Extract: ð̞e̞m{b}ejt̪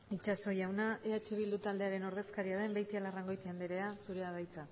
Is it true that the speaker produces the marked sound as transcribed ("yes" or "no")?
yes